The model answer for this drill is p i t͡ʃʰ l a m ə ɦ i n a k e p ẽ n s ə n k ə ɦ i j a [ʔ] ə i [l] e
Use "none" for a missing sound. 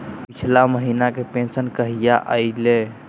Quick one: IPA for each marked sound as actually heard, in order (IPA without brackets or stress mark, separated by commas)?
ʔ, l